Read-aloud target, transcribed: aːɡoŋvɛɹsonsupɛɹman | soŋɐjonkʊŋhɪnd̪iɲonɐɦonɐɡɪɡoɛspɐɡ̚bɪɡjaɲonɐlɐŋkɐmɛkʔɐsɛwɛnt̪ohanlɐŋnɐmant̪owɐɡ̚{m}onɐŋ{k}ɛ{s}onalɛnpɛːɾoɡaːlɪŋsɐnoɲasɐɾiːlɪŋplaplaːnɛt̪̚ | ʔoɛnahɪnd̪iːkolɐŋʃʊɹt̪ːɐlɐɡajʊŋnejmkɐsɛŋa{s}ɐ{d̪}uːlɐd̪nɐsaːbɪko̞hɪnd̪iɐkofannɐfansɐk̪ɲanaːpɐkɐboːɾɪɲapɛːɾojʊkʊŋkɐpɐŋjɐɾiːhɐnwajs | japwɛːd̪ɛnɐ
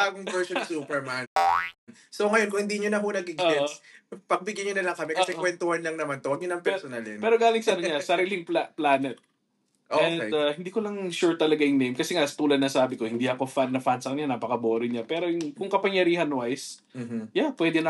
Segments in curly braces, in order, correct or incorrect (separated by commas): incorrect, incorrect, correct, correct, incorrect